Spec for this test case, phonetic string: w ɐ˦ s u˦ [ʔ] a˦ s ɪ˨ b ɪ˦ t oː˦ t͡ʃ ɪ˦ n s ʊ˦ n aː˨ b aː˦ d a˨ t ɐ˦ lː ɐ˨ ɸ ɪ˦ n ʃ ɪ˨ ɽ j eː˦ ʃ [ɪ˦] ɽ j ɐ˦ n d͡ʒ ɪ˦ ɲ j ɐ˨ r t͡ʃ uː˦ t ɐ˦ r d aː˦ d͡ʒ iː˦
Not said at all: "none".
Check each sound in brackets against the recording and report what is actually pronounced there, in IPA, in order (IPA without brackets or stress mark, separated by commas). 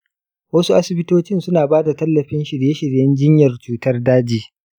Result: ʔ, ɪ˨